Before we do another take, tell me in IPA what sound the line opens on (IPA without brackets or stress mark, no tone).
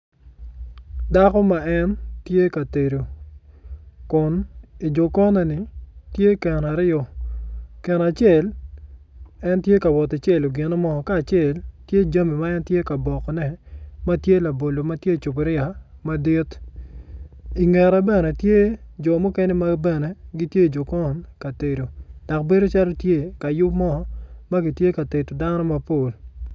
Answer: d